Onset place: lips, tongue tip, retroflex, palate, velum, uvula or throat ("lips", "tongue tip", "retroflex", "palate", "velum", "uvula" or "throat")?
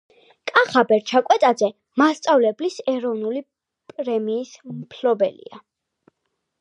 velum